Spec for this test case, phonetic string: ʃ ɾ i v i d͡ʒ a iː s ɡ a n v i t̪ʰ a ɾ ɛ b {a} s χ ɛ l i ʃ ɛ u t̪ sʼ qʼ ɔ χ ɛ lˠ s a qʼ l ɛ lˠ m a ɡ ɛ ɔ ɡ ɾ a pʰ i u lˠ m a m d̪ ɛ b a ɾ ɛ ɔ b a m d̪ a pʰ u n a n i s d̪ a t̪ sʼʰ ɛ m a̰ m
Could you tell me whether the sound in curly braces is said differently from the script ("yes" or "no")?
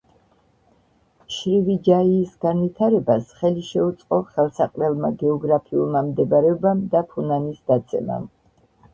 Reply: no